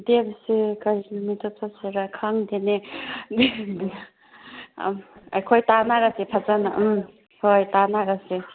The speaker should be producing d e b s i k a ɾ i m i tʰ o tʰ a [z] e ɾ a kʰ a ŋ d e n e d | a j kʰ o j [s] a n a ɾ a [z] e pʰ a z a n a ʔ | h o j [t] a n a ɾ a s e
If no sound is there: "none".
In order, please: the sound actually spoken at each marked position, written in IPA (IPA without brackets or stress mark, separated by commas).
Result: s, t, s, t